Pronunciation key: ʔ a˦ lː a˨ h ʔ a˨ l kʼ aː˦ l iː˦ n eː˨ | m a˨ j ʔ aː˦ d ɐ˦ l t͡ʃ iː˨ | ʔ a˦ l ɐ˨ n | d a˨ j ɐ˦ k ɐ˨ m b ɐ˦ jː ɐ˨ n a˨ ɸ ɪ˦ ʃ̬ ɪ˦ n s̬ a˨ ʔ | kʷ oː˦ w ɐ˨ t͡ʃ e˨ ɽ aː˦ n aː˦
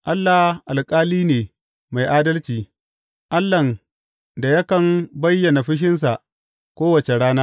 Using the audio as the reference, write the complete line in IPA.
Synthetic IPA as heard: ʔ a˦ lː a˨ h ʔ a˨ l kʼ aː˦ l iː˦ n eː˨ | m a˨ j ʔ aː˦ d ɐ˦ l t͡ʃ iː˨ | ʔ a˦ lː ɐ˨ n | d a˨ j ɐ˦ k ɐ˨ m b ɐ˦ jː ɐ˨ n a˨ ɸ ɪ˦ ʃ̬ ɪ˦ n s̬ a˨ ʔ | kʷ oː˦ w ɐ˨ t͡ʃ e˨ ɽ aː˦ n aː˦